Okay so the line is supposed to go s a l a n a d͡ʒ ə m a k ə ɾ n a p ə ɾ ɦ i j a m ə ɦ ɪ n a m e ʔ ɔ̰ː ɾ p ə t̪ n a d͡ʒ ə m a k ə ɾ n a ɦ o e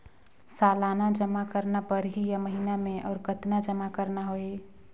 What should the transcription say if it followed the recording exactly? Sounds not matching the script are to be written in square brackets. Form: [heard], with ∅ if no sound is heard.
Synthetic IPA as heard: s a l a n a d͡ʒ ə m a k ə ɾ n a p ə ɾ ɦ i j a m ə ɦ [i] n a m e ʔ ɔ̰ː ɾ [k] ə t̪ n a d͡ʒ ə m a k ə ɾ n a ɦ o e